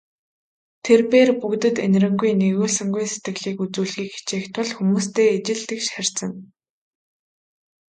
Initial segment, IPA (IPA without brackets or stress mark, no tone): t̪ʰ